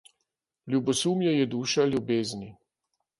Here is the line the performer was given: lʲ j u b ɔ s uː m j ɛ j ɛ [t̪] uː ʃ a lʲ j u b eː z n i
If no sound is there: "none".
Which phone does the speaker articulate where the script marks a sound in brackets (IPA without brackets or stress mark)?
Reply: d̪